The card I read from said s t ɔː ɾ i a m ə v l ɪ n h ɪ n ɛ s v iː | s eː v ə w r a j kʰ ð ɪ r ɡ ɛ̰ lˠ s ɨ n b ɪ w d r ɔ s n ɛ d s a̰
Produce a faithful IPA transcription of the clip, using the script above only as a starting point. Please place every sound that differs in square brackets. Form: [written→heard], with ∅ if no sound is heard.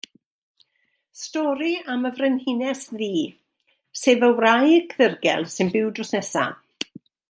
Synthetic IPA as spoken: s t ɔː ɾ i a m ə v [l→r] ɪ n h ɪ n ɛ s [v→ð] iː | s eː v ə w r a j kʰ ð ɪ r ɡ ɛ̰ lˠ s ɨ n b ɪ w d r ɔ s n ɛ [d→∅] s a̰